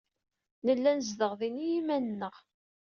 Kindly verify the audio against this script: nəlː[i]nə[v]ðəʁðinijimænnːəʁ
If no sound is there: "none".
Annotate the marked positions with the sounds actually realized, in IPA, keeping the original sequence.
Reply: æ, z

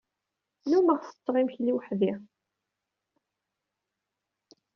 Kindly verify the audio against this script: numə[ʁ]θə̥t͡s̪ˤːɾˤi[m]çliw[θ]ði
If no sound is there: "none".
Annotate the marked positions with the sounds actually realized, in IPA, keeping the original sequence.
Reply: ʁ, m, ħ

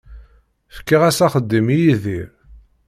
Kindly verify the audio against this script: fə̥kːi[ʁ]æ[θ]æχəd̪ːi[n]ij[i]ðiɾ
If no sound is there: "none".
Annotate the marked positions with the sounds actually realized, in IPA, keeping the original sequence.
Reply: ʁ, s, m, i

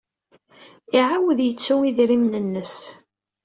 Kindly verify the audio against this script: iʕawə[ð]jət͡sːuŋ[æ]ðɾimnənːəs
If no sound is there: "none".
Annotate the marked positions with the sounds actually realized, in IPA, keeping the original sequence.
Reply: ð, i

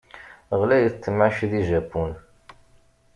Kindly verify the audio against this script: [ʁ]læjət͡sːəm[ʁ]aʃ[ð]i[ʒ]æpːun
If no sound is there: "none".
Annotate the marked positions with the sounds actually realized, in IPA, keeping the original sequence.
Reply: ʁ, ʕ, ð, ʒ

